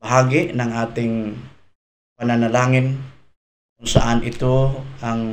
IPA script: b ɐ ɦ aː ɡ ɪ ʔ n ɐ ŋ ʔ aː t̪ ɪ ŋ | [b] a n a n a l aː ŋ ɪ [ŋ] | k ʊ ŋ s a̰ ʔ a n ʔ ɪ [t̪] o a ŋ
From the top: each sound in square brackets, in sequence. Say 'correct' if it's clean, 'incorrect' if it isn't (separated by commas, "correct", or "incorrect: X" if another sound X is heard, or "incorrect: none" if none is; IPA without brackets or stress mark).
incorrect: p, incorrect: n, correct